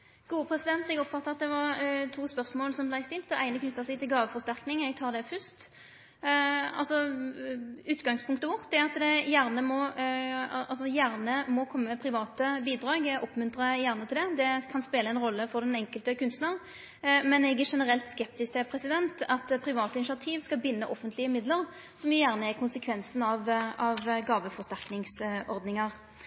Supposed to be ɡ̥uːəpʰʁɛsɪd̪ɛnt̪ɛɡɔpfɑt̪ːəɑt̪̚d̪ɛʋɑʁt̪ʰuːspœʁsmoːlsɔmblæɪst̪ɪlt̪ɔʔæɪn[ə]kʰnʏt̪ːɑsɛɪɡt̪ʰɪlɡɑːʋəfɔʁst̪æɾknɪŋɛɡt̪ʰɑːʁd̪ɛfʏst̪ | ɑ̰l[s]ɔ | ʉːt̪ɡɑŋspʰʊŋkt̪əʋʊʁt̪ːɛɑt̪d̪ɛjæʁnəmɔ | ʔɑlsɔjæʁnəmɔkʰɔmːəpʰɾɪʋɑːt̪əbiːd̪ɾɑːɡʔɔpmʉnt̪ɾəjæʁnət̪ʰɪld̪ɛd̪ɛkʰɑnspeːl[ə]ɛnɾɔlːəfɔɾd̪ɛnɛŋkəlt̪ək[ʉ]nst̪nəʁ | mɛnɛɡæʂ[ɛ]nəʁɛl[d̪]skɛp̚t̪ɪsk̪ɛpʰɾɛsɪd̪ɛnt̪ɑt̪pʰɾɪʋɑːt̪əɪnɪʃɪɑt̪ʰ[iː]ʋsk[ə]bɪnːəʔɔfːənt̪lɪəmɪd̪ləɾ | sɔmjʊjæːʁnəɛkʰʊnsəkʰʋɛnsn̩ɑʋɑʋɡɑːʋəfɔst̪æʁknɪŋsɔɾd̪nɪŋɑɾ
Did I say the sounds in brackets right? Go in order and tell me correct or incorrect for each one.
correct, correct, correct, correct, correct, incorrect: t̪, correct, incorrect: ɑ

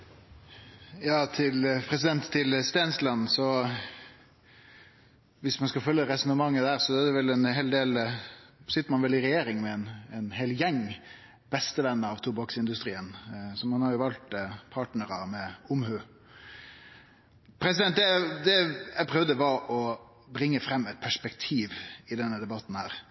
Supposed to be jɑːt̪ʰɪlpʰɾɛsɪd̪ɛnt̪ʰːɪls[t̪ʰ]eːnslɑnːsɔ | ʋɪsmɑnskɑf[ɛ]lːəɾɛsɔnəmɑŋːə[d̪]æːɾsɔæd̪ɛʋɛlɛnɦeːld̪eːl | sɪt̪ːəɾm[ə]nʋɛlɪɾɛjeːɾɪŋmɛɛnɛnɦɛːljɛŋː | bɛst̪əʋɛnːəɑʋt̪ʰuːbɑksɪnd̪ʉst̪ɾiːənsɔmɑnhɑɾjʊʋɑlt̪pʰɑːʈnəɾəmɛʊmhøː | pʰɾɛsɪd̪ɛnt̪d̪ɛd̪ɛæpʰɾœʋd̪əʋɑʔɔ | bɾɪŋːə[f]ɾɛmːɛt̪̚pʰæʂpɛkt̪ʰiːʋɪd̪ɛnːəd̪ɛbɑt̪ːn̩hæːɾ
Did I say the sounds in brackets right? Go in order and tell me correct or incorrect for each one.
incorrect: t̪, incorrect: œ, correct, incorrect: ɑ, correct

